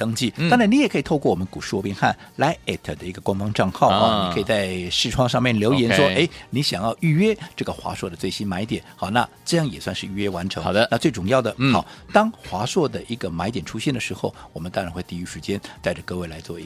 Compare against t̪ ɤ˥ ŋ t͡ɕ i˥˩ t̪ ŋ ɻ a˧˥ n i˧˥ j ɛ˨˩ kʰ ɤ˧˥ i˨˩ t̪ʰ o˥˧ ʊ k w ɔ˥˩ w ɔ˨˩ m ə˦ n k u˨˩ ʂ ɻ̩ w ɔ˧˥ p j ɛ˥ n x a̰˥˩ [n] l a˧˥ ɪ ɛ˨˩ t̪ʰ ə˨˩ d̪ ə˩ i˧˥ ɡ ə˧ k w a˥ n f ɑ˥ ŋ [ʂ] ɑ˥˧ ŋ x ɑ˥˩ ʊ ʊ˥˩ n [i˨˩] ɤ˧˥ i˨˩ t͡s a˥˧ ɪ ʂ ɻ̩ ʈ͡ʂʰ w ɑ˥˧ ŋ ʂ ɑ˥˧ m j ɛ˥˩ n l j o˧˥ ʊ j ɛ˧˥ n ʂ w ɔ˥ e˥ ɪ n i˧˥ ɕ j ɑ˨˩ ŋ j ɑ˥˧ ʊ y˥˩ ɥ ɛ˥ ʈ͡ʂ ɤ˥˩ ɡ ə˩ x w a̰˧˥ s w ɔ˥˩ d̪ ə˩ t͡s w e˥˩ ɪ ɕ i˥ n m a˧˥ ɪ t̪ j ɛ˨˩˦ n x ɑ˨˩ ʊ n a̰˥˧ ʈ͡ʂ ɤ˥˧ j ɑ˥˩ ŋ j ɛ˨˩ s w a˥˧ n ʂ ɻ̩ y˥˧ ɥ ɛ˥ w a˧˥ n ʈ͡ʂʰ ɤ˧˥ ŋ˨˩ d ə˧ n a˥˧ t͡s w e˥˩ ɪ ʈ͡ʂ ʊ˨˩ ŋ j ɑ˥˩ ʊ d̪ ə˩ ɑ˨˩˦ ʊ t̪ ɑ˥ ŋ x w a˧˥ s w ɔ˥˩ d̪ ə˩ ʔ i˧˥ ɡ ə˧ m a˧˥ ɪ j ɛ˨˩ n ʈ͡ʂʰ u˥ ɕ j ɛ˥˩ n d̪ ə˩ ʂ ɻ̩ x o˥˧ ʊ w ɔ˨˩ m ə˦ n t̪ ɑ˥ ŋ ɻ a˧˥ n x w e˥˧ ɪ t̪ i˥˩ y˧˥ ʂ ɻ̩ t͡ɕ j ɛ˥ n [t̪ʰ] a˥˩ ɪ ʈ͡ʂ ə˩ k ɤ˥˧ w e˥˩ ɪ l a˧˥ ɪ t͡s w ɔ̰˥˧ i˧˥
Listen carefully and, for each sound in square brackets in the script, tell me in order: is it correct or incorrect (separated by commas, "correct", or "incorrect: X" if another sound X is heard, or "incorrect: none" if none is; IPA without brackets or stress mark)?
correct, incorrect: ʈ͡ʂ, correct, incorrect: t̪